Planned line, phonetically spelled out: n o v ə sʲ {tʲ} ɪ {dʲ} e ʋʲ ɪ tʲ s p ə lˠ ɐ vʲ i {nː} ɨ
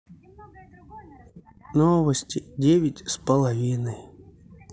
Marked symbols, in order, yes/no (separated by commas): yes, yes, no